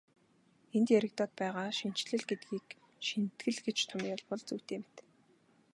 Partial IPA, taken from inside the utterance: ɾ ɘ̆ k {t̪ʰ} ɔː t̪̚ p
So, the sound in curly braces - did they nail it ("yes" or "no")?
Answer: no